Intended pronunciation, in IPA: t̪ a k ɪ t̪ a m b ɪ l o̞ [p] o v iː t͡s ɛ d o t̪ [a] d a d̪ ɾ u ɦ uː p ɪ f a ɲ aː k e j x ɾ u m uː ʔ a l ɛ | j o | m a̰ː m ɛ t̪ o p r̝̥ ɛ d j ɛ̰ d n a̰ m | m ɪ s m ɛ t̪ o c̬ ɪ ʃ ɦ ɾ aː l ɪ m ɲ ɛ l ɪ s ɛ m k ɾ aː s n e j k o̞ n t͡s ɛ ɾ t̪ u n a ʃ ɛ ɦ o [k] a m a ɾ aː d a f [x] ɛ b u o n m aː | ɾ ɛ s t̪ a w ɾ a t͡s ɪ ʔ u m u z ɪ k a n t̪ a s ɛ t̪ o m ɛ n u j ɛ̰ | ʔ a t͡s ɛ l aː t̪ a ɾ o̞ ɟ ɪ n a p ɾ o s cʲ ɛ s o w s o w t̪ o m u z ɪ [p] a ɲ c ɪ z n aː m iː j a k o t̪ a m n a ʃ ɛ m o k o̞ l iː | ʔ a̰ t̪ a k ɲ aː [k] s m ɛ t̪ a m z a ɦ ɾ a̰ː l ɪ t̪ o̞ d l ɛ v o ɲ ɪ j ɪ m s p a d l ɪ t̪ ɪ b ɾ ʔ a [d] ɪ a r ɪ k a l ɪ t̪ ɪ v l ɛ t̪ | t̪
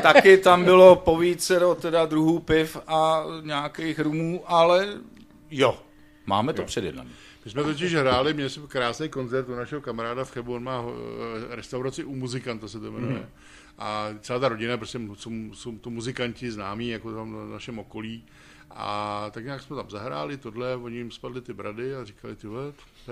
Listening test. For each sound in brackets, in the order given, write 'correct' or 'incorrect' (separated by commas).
correct, incorrect, correct, correct, incorrect, correct, correct